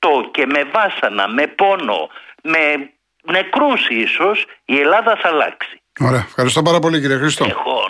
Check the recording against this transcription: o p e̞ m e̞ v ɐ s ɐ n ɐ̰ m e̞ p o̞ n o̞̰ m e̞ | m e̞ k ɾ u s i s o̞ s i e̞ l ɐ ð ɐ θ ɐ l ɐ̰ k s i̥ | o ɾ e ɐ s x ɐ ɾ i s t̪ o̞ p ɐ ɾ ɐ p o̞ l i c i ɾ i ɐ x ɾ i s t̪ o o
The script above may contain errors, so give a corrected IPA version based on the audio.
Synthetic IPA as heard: o c e̞ m e̞ v ɐ s ɐ n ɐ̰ m e̞ p o̞ n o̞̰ m e̞ | n e̞ k ɾ u s i s o̞ s i e̞ l ɐ ð ɐ θ ɐ l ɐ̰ k s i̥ | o ɾ e ɐ f x ɐ ɾ i s t̪ o̞ p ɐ ɾ ɐ p o̞ l i c i ɾ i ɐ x ɾ i s t̪ o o